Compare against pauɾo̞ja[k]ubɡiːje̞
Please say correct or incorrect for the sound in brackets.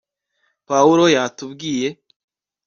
incorrect